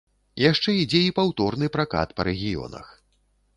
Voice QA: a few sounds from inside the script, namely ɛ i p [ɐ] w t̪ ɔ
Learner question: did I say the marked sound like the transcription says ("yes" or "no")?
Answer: no